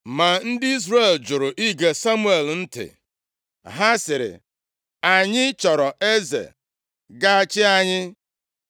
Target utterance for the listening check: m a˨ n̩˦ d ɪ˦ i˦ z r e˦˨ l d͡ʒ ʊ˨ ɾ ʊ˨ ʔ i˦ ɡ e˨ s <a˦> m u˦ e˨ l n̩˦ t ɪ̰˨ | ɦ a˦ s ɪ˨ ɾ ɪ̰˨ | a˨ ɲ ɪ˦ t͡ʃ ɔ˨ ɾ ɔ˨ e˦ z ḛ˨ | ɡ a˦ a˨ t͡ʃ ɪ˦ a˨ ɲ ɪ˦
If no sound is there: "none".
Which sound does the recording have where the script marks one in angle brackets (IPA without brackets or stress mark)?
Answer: a˦